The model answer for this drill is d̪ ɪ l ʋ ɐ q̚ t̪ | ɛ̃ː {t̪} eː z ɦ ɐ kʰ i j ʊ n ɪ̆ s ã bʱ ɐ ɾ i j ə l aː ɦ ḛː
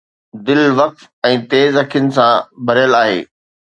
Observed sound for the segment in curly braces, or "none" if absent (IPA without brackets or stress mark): t̪